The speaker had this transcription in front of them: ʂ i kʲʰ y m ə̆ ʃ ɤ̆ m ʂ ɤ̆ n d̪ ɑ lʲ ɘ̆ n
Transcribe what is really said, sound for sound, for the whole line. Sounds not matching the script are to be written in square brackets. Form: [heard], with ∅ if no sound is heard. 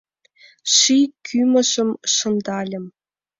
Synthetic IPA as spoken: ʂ i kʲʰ y m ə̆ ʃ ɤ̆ m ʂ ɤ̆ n d̪ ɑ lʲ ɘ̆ [m]